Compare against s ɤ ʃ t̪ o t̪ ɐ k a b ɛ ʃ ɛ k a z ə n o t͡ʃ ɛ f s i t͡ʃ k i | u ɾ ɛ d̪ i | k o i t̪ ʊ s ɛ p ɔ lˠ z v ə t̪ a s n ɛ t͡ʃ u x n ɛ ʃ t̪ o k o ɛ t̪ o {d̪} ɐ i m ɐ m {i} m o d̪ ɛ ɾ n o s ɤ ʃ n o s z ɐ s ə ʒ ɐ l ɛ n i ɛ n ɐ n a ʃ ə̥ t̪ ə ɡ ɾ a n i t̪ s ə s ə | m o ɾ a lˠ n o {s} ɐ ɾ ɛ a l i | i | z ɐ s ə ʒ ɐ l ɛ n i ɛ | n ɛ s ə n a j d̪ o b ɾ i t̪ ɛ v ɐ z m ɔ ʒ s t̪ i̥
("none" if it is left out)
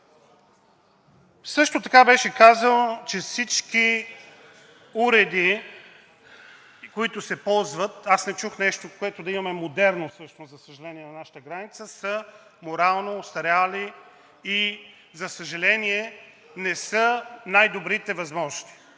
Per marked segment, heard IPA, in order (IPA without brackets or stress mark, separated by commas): d̪, ɛ, s